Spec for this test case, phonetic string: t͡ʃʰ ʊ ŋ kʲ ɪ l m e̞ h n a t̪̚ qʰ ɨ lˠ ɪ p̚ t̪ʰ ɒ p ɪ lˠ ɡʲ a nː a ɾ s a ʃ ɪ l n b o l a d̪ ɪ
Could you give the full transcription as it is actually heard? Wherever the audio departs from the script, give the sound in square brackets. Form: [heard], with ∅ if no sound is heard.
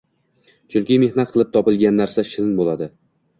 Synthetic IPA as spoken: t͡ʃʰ ʊ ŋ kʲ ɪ [∅] m e̞ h n a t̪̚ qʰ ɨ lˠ ɪ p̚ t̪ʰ ɒ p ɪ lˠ ɡʲ a nː a ɾ s a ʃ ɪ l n b o l a d̪ ɪ